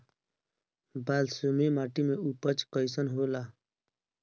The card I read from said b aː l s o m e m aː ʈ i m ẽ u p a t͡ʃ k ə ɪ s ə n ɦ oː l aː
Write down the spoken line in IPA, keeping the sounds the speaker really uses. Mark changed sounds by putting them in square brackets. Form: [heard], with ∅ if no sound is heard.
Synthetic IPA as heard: b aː l s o m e m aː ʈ i m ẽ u p [ə] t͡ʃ k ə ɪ s ə n ɦ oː l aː